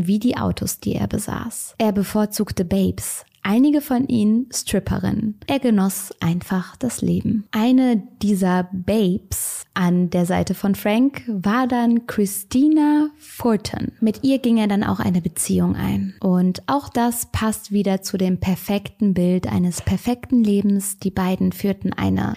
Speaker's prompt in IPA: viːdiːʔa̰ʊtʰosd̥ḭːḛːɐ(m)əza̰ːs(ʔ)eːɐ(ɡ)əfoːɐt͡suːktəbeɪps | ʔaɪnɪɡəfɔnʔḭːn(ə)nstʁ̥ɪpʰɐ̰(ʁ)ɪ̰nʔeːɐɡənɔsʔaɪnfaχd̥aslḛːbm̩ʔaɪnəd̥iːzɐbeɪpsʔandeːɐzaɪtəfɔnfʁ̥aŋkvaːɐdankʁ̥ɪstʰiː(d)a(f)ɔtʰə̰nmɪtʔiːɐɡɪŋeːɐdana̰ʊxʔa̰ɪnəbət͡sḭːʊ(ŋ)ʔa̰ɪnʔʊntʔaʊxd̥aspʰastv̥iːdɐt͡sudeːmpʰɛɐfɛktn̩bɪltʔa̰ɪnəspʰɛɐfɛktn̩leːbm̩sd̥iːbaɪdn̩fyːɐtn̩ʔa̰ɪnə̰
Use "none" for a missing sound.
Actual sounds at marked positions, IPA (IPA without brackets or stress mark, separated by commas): b, ʔ, b, ə, ʁ, n, f, ŋ